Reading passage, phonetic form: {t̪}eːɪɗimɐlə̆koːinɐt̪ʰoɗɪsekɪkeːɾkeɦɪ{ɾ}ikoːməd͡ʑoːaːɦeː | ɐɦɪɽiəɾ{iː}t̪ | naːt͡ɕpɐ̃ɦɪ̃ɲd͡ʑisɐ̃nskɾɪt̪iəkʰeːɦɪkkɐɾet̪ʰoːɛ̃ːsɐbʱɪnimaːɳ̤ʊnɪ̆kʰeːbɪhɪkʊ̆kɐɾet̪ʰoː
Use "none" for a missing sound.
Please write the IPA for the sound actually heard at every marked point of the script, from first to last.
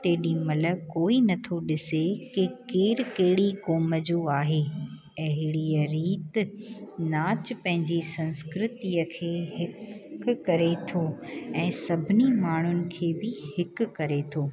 t̪, ɽ, iː

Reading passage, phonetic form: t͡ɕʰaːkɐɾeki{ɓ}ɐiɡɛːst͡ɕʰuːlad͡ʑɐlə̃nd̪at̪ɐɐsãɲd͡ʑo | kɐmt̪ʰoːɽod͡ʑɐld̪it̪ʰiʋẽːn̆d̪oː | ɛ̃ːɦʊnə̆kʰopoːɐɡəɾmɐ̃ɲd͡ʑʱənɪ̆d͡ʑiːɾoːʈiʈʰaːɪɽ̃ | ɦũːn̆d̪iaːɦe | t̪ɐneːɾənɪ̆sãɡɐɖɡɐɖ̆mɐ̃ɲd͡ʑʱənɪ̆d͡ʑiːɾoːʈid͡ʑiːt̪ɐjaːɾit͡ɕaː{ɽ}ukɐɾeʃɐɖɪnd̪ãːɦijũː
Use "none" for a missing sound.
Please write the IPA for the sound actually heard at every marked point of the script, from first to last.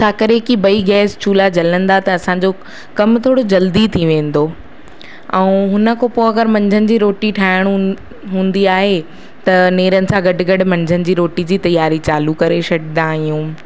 b, l

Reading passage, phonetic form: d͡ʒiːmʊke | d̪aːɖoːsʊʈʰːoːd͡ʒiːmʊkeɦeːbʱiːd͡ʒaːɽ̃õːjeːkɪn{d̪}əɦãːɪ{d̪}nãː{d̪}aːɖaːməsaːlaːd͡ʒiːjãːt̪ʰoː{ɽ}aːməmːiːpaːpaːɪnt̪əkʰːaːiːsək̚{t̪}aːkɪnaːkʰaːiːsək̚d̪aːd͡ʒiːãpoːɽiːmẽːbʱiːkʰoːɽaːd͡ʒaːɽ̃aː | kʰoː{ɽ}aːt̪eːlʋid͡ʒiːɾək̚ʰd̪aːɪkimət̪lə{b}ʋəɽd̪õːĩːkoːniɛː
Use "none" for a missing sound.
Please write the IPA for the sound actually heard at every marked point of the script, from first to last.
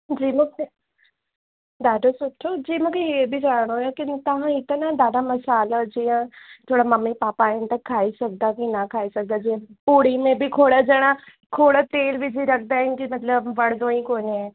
t̪, t̪, d̪, ɽ, d̪, ɽ, b

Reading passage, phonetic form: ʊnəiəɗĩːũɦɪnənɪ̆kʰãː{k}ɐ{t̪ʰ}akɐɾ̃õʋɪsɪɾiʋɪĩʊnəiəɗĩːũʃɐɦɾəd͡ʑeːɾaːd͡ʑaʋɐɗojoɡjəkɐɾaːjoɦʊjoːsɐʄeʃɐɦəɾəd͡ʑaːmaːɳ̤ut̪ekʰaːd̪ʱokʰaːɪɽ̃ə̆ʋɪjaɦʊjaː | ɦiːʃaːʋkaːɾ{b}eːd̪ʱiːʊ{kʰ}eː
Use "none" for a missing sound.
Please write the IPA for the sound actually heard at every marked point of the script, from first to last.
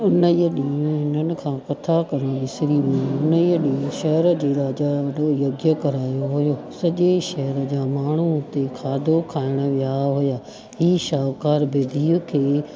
k, t̪ʰ, b, kʰ

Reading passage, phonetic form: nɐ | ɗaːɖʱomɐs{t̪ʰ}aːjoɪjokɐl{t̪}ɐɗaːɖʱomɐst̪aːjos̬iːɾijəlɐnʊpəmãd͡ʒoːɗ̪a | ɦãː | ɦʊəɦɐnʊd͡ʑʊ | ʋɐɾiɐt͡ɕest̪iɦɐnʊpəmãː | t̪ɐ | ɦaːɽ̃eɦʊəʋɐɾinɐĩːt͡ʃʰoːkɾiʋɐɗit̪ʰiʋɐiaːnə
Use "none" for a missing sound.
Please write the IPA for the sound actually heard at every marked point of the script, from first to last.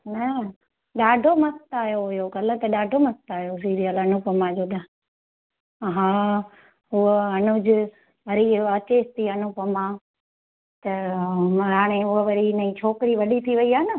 t̪, t̪

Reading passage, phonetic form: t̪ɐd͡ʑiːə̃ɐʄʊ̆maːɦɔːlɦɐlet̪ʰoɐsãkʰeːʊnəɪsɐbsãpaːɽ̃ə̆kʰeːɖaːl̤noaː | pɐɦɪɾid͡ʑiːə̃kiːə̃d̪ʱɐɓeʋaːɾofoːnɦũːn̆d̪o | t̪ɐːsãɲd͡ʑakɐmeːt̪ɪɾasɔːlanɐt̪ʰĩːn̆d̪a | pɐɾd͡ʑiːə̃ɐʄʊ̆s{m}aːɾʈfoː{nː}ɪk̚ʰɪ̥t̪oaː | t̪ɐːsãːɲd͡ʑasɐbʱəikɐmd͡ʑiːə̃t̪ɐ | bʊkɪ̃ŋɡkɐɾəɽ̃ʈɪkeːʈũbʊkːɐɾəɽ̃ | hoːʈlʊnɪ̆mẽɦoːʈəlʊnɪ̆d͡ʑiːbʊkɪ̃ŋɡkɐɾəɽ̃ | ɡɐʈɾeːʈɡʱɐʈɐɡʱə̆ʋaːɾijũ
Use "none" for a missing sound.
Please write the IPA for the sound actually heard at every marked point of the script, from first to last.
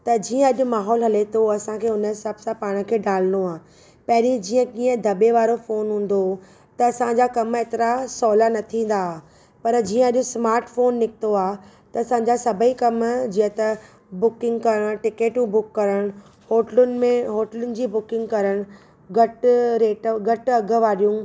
m, nː

